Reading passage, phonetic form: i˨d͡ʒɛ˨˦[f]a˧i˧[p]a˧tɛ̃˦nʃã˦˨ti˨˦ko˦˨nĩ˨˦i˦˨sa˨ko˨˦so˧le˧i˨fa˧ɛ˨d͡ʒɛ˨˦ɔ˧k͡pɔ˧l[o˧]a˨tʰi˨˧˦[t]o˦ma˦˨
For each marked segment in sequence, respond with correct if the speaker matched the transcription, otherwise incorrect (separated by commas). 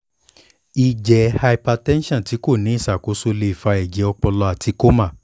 incorrect, correct, incorrect, incorrect